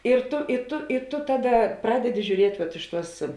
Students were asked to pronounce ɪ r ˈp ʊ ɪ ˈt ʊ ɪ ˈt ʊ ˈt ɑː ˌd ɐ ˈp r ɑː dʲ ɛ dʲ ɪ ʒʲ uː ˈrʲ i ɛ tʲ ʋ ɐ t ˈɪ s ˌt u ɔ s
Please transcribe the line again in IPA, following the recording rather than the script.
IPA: ɪ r ˈt ʊ ɪ ˈt ʊ ɪ ˈt ʊ ˈt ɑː ˌd ɐ ˈp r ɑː dʲ ɛ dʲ ɪ ʒʲ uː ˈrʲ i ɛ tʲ ʋ ɐ t ˈɪ ʃ ˌt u ɔ s

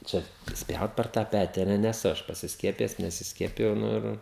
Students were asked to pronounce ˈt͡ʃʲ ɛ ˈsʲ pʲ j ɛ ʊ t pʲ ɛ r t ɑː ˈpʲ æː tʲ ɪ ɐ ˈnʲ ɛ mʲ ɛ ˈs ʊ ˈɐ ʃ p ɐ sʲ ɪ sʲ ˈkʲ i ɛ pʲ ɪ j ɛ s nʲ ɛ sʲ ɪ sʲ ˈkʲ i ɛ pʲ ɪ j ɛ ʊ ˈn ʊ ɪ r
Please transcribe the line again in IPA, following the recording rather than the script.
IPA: ˈt͡ʃʲ ɛ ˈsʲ pʲ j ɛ ʊ t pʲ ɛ r t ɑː ˈpʲ æː tʲ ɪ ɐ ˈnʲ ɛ nʲ ɛ ˈs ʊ ˈɐ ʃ p ɐ sʲ ɪ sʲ ˈkʲ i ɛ pʲ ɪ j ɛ s nʲ ɛ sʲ ɪ sʲ ˈkʲ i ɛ pʲ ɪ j ɛ ʊ ˈn ʊ ɪ r

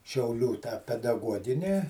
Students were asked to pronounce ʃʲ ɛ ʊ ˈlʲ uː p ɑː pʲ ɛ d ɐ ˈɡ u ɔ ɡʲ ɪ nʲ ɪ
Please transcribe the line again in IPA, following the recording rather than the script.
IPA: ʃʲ ɛ ʊ ˈlʲ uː t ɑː pʲ ɛ d ɐ ˈɡ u ɔ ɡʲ ɪ nʲ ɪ

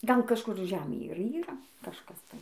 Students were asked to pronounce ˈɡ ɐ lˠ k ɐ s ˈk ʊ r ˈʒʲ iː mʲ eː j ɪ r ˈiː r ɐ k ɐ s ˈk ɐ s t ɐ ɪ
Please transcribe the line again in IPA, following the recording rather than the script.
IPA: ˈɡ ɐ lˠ k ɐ ʃ ˈk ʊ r ˈʒʲ æː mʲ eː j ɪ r ˈiː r ɐ k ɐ ʃ ˈk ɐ s t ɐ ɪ

